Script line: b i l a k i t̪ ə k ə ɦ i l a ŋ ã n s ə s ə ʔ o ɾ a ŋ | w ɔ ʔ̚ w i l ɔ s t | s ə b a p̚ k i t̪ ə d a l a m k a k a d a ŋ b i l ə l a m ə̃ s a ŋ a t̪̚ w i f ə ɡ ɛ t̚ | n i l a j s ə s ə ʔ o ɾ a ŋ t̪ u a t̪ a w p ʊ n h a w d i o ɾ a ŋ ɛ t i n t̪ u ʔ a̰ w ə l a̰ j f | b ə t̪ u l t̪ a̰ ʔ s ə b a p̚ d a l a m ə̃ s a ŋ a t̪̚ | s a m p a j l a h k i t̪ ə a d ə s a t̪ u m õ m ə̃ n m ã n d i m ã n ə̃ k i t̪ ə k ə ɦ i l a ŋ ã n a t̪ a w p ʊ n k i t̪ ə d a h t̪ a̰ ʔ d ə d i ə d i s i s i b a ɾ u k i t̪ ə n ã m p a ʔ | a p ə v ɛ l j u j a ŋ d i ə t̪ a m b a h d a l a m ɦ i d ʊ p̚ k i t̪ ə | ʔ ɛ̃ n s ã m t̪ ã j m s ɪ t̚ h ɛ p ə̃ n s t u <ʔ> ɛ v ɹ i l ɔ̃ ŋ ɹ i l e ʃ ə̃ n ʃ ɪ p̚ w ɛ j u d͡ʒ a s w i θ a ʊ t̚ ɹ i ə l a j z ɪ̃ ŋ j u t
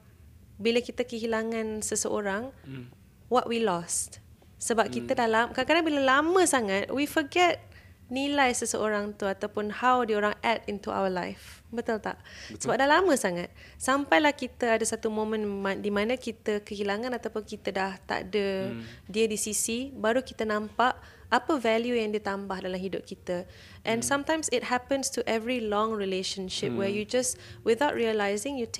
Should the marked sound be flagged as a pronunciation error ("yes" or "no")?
no